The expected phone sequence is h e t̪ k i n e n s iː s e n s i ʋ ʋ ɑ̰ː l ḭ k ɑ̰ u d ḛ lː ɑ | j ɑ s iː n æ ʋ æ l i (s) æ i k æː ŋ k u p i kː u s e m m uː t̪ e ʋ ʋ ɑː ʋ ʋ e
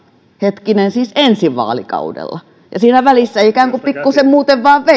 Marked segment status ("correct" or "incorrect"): incorrect